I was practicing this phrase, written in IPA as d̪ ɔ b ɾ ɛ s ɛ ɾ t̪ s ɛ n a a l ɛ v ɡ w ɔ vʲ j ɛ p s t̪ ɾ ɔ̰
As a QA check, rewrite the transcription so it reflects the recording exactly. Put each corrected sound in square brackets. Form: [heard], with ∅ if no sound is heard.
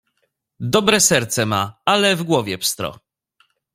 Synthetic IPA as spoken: d̪ ɔ b ɾ ɛ s ɛ ɾ t̪ s ɛ [m] a a l ɛ v ɡ w ɔ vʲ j ɛ p s t̪ ɾ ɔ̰